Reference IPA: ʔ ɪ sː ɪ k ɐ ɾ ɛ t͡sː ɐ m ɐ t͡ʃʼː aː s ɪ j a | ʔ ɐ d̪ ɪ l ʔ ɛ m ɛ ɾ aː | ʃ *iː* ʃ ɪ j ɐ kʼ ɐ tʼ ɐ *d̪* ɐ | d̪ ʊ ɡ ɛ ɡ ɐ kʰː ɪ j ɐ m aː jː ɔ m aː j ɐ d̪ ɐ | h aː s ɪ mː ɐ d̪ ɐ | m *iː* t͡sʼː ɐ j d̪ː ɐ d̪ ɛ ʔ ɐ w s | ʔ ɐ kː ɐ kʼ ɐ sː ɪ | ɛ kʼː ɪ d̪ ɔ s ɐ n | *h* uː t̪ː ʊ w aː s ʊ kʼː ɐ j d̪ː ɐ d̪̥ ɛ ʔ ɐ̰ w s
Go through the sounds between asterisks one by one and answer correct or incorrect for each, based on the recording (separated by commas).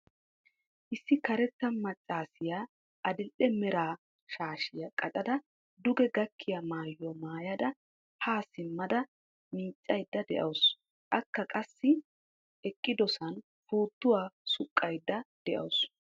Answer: incorrect, correct, correct, incorrect